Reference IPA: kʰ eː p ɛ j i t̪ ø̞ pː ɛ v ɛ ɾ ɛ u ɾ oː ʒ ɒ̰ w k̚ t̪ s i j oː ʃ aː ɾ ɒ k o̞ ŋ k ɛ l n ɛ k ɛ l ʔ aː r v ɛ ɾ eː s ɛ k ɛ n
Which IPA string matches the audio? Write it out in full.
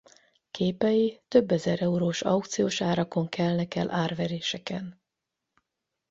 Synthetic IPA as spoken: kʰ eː p ɛ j i t̪ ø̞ bː ɛ z ɛ ɾ ɛ u ɾ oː ʃ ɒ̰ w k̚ t̪ s i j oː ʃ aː ɾ ɒ k o̞ ŋ k ɛ l n ɛ k ɛ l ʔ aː r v ɛ ɾ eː ʃ ɛ k ɛ n